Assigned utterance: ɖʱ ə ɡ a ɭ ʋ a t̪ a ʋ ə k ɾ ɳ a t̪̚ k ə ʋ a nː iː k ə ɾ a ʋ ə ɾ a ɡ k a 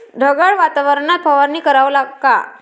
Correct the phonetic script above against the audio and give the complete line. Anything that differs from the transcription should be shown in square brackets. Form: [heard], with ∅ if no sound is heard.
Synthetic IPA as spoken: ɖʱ ə ɡ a ɭ ʋ a t̪ a ʋ ə [∅] ɾ ɳ a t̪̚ [p] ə ʋ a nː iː k ə ɾ a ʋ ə [l] a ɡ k a

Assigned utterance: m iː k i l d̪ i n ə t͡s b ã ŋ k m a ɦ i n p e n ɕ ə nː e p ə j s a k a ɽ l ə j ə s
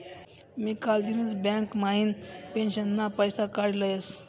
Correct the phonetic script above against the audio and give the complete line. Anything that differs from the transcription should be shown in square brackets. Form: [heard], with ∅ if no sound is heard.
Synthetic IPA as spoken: m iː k [a] l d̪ i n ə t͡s b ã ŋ k m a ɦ i n p e n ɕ ə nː [a] p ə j s a k a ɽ l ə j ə s

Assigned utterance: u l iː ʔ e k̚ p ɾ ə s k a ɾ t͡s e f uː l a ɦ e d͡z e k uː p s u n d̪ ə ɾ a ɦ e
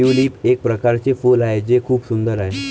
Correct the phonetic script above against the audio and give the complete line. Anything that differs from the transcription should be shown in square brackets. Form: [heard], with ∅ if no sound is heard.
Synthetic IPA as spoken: u l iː [p] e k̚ p ɾ ə [∅] k a ɾ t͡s e f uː l a ɦ e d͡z e [kʰ] uː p s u n d̪ ə ɾ a ɦ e

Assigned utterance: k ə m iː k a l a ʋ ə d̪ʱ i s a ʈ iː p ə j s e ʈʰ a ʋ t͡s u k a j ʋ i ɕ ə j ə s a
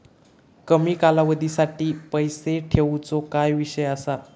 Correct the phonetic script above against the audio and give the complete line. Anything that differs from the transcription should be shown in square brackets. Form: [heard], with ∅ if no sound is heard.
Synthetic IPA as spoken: k ə m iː k a l a ʋ ə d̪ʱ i s a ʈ iː p ə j s e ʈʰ [e] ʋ t͡s [o] k a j ʋ i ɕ ə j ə s a

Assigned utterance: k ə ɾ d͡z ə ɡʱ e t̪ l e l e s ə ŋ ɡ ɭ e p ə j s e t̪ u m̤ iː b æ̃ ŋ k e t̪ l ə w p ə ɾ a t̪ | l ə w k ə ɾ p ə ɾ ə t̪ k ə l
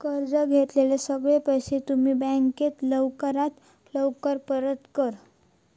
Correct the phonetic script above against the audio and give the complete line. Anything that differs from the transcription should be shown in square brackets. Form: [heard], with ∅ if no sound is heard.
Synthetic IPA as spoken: k ə ɾ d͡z ə ɡʱ e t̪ l e l e s ə [∅] ɡ ɭ e p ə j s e t̪ u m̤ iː b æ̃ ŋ k e t̪ l ə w [k] ə ɾ a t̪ | l ə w k ə ɾ p ə ɾ ə t̪ k ə [ɾ]

